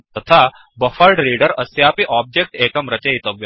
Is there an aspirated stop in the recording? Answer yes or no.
yes